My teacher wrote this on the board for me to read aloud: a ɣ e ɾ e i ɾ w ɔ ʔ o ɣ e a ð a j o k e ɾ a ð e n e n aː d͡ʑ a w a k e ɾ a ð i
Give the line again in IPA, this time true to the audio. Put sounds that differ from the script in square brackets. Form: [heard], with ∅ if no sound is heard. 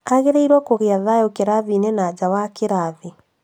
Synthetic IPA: a ɣ e ɾ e i ɾ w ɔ [k] o ɣ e a ð a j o k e ɾ a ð [i] n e n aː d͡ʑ a w a k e ɾ a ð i

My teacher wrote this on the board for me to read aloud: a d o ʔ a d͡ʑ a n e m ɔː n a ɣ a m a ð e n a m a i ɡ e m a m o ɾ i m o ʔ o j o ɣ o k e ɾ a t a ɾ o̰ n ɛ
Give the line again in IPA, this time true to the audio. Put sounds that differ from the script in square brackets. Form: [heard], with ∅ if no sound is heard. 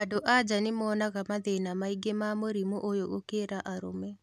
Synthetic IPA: a d o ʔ a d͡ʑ a n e m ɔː n a ɣ a m a ð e n a m a i ɡ e m a m o ɾ i m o ʔ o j o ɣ o k e ɾ a [ʔ] a ɾ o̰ [m] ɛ

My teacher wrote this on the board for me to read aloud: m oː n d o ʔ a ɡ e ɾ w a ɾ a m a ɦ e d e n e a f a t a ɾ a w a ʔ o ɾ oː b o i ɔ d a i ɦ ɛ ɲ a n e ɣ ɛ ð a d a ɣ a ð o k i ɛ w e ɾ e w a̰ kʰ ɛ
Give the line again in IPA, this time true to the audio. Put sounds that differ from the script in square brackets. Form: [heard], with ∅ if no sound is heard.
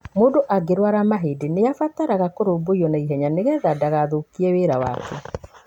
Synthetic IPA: m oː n d o ʔ a ɡ e ɾ w a ɾ a m a ɦ e d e n e a f a t a ɾ a [ɣ] a [k] o ɾ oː b o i ɔ [n] a i ɦ ɛ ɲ a n e ɣ ɛ ð a d a ɣ a ð o k i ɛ w e ɾ [a] w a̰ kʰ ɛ

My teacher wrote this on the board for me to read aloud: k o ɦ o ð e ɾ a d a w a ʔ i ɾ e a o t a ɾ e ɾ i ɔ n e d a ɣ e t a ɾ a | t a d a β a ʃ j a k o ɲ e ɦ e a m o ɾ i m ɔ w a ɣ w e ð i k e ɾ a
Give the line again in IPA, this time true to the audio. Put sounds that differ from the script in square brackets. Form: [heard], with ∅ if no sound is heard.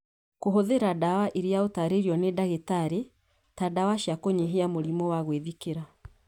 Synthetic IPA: k o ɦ o ð e ɾ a d a w a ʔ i ɾ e a o t a ɾ e ɾ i ɔ n e d a ɣ e t a ɾ [e] | t a d a [w] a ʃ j a k o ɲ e ɦ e a m o ɾ i m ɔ w a ɣ w e ð i k e ɾ a

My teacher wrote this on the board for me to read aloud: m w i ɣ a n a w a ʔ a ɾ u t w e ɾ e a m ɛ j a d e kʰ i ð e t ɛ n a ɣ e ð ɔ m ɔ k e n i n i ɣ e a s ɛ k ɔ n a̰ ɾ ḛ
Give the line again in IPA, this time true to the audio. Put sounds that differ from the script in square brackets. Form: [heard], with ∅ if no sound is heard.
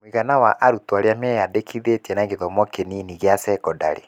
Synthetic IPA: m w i ɣ a n a w a ʔ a ɾ u t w [a] ɾ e a m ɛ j a d e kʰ i ð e t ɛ n a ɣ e ð ɔ m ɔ k e n i n i ɣ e a s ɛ k ɔ [d] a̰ ɾ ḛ

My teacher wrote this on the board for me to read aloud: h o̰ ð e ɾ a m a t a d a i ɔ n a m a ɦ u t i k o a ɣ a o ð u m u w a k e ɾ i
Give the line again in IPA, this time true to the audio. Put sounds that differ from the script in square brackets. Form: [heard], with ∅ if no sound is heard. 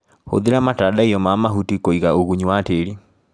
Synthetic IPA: h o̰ ð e ɾ a m a t a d a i ɔ [m] a m a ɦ u t i k o [i] ɣ a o [ɣ] u [ɲ] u w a [t] e ɾ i

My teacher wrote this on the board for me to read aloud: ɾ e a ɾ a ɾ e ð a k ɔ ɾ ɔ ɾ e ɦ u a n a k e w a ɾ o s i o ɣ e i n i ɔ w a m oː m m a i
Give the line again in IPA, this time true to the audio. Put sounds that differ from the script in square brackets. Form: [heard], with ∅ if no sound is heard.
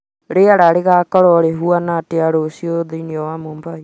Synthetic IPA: ɾ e a ɾ a ɾ e [ɣ] a k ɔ ɾ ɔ ɾ e ɦ u a n a [t] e [∅] a ɾ o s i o [ð] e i n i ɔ w a m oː m [b] a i

